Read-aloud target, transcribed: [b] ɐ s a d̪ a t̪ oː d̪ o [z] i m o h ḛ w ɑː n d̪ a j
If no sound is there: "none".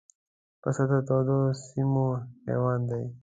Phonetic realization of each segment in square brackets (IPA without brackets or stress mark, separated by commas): p, s